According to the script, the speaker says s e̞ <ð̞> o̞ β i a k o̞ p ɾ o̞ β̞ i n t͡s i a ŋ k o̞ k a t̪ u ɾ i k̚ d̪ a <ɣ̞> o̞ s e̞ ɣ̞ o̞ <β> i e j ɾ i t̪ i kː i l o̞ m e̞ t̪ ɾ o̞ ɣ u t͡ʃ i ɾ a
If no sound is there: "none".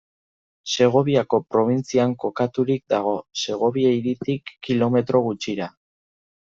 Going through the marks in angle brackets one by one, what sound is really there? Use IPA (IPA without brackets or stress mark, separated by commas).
ɣ̞, ɣ̞, β